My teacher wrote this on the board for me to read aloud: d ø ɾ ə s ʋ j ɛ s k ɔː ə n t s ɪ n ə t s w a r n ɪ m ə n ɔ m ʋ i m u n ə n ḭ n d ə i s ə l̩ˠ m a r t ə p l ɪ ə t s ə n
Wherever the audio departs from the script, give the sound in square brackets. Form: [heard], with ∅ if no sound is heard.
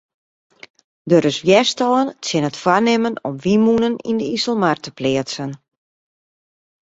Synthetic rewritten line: d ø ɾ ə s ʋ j ɛ s [t] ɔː ə n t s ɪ n ə t [f] w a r n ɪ m ə n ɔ m ʋ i m u n ə n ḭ n d ə i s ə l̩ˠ m a r t ə p l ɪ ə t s ə n